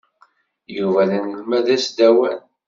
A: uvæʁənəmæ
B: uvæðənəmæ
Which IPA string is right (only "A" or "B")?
B